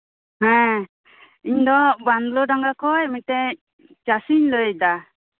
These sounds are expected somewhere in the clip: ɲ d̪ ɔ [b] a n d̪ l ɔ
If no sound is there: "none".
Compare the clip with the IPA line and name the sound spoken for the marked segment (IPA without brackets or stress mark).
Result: b